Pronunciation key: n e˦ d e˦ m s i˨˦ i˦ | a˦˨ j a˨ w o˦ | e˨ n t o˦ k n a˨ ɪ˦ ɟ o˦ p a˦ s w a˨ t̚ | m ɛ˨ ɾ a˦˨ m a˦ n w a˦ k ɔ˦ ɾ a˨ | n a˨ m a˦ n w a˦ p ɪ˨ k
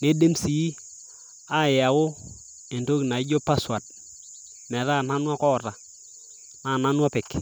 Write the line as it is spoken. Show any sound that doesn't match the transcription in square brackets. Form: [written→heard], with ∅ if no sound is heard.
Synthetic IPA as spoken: n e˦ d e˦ m s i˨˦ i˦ | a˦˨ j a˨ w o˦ | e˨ n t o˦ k n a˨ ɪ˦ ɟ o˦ p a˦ s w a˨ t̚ | m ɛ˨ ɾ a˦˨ [m→n] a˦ n w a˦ k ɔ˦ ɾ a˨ | n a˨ [m→n] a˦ n w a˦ p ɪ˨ k